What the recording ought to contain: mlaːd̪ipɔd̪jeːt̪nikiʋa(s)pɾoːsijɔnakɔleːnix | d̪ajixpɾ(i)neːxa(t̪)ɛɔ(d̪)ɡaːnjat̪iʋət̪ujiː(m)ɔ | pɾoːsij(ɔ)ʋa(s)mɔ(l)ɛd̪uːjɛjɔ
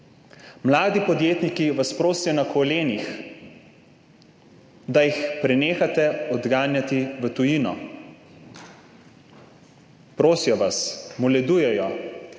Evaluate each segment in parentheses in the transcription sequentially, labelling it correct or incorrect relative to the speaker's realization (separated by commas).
correct, incorrect, correct, correct, incorrect, correct, correct, correct